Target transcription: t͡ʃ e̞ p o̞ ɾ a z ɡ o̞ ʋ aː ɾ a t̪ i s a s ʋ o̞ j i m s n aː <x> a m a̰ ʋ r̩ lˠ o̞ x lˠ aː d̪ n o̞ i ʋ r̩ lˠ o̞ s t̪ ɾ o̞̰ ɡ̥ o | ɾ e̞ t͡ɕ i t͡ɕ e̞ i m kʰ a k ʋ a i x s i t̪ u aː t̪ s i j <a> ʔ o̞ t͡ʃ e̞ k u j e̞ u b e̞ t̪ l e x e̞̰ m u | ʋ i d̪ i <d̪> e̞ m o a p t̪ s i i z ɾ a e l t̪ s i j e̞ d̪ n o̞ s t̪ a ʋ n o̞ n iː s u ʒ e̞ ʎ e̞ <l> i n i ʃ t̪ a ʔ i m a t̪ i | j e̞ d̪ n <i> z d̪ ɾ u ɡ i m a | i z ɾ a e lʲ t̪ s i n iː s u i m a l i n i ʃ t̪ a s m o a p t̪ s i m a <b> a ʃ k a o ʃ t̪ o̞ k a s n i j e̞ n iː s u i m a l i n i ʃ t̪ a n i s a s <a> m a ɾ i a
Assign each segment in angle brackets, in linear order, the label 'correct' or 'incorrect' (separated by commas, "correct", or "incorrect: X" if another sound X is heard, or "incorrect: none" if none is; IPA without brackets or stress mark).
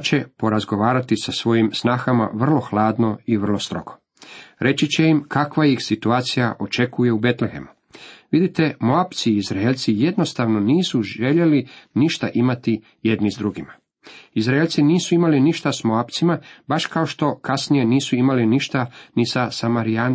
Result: correct, correct, incorrect: t̪, correct, correct, correct, correct